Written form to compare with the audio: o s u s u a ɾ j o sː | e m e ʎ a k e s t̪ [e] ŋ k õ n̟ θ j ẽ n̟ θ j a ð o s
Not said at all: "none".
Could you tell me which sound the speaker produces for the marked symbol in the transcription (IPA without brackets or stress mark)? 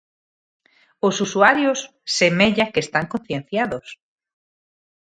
a